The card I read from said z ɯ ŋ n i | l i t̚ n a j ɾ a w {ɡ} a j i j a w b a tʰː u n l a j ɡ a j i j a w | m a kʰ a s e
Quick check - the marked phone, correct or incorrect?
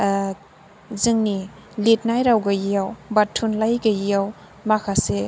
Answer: correct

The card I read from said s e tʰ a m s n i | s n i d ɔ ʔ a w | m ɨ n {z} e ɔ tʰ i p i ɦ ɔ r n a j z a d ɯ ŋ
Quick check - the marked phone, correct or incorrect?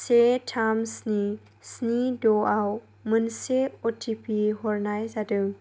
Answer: incorrect: s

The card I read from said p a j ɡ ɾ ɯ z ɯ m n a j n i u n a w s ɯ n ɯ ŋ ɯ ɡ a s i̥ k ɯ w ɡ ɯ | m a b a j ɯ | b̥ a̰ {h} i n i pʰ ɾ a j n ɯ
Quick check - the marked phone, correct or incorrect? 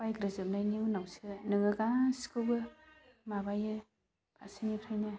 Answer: incorrect: s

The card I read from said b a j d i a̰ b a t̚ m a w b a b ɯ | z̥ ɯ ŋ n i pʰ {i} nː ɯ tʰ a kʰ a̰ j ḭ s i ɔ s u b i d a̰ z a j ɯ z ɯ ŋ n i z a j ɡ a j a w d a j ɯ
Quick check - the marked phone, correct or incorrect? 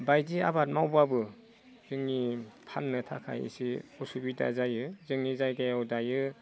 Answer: incorrect: a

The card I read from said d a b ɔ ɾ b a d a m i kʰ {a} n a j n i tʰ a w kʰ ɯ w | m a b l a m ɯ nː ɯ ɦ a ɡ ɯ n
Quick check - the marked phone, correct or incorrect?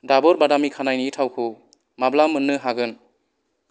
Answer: correct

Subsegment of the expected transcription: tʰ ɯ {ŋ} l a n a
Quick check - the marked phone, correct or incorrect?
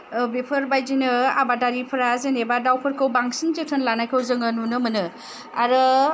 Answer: incorrect: n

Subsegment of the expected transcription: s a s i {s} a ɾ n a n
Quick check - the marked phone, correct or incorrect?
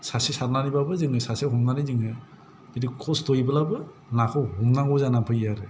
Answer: correct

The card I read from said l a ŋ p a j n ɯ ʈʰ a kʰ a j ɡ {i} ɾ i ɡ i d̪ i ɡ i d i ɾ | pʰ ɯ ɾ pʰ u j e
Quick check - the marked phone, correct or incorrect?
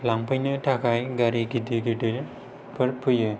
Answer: incorrect: a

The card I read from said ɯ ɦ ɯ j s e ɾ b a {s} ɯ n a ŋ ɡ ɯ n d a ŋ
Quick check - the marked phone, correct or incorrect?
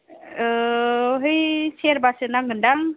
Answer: correct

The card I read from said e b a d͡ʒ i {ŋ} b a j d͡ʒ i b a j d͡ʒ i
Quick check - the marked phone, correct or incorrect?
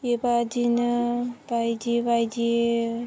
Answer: incorrect: n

